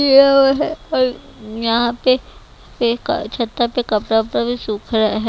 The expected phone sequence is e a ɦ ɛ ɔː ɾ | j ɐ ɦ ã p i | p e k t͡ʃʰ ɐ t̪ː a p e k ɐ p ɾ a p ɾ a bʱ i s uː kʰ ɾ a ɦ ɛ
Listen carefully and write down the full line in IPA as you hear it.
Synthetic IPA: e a ɦ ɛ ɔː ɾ | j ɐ ɦ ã p e | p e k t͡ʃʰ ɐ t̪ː a p e k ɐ p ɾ a p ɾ a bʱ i s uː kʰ ɾ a ɦ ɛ